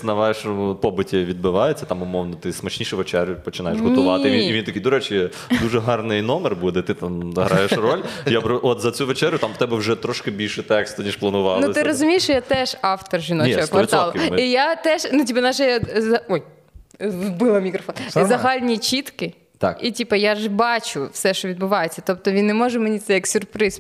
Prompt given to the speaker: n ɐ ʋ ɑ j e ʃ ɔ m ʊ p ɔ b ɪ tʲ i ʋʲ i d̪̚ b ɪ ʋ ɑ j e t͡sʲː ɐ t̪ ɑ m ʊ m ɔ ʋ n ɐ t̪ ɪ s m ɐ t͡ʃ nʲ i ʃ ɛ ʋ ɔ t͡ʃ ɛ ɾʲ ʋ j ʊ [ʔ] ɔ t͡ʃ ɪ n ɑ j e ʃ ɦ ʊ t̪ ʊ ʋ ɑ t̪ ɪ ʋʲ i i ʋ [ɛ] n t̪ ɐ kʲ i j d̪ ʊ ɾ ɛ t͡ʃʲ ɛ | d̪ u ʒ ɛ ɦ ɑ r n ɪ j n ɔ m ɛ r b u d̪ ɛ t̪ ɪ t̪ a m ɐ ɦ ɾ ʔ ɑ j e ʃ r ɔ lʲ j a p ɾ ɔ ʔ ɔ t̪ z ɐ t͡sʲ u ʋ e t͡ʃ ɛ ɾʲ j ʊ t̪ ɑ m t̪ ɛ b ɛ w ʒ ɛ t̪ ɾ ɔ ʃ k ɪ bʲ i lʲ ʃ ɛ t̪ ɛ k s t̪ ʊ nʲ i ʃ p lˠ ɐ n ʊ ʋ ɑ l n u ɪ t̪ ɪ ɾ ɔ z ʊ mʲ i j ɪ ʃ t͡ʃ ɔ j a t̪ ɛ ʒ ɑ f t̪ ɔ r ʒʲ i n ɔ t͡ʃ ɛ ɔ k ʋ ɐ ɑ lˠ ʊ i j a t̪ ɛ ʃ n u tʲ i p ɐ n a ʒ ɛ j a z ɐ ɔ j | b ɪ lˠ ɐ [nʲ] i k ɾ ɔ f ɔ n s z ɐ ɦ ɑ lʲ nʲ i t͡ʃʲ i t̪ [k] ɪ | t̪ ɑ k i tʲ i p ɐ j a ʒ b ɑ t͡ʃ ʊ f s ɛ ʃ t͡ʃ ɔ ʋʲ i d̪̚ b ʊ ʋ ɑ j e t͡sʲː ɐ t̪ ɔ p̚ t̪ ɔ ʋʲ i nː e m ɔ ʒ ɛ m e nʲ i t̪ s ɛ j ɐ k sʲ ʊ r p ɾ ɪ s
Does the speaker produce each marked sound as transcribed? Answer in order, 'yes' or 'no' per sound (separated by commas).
no, no, no, yes